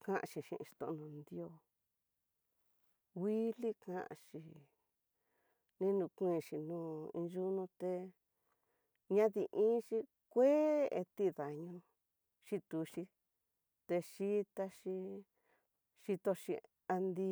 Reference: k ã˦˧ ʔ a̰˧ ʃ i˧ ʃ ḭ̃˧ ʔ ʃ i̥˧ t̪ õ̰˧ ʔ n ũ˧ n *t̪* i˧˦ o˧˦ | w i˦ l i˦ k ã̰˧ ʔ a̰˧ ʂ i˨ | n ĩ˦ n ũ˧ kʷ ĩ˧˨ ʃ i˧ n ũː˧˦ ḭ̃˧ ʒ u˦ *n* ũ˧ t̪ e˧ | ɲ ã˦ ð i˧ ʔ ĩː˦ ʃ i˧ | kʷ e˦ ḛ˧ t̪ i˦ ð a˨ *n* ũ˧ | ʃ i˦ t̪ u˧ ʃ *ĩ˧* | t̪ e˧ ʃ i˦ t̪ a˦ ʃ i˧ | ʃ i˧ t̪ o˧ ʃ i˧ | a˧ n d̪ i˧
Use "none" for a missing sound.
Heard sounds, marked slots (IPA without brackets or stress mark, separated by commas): d̪, n, ɲ, i˧